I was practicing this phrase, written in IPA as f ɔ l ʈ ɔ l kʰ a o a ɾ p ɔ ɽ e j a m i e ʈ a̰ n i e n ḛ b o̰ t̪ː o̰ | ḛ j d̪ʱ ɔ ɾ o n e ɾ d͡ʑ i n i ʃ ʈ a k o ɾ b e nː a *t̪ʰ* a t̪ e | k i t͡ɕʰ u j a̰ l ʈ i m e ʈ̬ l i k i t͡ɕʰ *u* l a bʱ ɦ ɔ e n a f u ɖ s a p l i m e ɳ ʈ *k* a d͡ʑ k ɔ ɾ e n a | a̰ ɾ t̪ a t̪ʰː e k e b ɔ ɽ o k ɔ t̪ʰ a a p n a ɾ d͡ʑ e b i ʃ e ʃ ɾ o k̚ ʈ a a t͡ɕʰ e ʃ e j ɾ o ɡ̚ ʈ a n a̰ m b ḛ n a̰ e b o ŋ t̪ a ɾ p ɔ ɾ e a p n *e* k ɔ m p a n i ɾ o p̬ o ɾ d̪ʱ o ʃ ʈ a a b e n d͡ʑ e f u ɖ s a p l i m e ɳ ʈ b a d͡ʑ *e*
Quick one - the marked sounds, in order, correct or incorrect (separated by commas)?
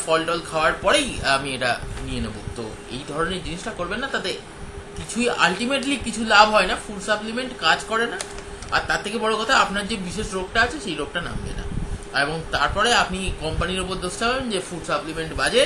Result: incorrect, correct, correct, incorrect, correct